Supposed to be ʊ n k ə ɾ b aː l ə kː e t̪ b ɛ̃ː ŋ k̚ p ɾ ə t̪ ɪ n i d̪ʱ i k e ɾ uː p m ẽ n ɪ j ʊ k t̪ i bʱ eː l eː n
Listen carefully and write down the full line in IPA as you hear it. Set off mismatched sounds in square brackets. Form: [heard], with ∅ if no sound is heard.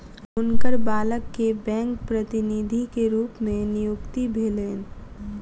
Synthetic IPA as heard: ʊ n k ə ɾ b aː l ə kː e [∅] b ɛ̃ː ŋ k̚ p ɾ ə t̪ ɪ n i d̪ʱ i k e ɾ uː p m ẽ n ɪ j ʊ k t̪ i bʱ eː l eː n